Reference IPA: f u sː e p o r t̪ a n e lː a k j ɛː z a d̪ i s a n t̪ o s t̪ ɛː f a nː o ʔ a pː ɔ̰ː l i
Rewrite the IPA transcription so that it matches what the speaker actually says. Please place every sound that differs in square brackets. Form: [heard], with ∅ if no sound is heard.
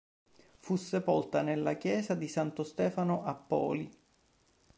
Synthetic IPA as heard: f u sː e p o [l] t̪ a n e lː a k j ɛː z a d̪ i s a n t̪ o s t̪ ɛː f a [n] o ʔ a pː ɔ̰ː l i